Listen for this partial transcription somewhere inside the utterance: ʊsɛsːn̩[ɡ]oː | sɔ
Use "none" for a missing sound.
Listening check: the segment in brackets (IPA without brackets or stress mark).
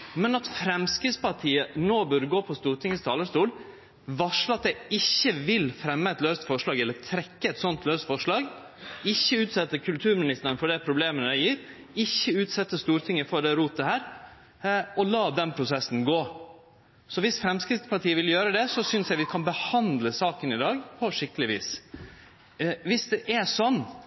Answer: ɡ